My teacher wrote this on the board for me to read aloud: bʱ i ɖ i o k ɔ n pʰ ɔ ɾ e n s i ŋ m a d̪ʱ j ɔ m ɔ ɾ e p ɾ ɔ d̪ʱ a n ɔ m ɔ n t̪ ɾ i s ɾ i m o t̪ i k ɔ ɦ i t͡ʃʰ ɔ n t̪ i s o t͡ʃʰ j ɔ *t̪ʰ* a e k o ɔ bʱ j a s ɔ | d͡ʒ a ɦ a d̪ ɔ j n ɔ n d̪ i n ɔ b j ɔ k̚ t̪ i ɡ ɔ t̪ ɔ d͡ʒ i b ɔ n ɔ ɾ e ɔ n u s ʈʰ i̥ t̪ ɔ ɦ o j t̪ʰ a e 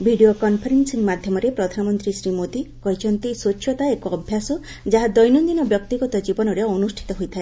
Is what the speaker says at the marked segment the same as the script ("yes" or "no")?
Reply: no